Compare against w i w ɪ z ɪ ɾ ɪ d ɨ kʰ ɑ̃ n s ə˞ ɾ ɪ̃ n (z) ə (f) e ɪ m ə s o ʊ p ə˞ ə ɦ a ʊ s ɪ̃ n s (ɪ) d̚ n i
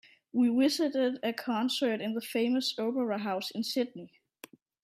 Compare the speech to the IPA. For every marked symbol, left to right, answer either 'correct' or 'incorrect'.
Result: incorrect: ð, correct, correct

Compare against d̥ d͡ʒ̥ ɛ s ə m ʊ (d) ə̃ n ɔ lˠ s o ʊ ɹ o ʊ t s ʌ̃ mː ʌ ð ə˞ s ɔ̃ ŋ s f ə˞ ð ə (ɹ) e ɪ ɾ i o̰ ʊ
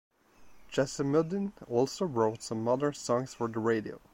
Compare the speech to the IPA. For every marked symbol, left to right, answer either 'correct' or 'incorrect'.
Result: correct, correct

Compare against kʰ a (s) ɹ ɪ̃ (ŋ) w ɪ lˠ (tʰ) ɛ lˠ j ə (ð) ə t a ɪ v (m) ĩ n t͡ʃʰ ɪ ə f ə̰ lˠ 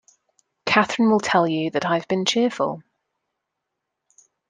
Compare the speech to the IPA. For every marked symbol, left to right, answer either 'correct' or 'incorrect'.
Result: incorrect: θ, incorrect: n, correct, correct, incorrect: b

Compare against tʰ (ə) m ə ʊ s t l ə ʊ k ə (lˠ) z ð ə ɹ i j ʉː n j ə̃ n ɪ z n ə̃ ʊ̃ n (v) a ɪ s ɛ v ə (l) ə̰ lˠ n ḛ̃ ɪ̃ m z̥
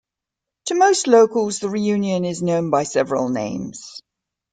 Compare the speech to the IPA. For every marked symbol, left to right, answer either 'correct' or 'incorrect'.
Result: correct, correct, incorrect: b, incorrect: ɹ

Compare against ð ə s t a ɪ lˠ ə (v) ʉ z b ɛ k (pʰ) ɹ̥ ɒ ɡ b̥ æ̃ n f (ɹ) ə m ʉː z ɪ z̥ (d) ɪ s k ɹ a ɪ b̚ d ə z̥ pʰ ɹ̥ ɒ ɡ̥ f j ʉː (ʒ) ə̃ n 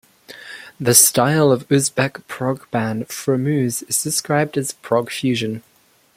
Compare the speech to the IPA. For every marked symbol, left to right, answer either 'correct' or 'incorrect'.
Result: correct, correct, correct, correct, correct

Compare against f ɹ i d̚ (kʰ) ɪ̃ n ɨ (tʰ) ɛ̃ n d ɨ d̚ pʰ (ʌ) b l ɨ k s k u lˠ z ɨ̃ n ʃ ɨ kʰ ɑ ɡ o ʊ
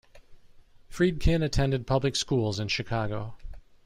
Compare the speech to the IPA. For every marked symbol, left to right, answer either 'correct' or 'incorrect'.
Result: correct, correct, correct

